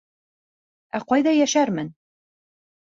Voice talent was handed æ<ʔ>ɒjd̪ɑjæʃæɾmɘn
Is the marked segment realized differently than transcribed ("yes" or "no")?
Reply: yes